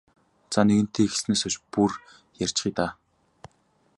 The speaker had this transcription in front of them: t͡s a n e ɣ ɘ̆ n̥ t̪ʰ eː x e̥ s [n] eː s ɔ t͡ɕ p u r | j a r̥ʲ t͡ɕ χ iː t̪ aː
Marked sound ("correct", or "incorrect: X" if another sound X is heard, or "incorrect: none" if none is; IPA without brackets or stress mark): correct